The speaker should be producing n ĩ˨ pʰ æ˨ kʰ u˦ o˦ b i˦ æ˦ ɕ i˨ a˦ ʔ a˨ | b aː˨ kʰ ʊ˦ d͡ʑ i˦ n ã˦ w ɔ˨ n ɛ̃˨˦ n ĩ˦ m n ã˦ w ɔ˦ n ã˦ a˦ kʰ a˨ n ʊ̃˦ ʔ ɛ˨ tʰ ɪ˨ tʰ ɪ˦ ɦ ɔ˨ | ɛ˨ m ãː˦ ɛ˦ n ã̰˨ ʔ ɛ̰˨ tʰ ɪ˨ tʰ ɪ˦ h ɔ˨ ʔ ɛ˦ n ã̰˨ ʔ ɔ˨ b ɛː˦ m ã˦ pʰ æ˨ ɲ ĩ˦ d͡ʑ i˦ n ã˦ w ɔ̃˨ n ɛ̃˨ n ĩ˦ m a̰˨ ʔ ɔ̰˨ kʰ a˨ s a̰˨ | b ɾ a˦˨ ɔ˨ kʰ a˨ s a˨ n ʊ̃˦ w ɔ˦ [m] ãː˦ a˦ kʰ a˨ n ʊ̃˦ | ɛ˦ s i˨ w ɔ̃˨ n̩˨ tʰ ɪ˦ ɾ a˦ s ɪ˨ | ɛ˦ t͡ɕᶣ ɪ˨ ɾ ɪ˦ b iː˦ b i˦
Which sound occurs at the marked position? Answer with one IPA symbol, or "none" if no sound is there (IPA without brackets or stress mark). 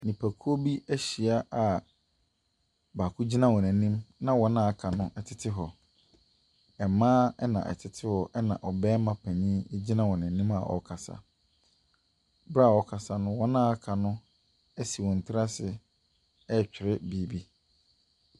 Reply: n